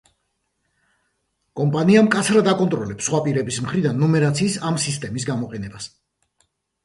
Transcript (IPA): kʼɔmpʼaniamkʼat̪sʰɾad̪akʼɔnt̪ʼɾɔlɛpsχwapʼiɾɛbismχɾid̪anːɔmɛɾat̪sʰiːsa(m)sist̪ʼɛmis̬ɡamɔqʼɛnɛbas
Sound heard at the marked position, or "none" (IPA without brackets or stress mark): m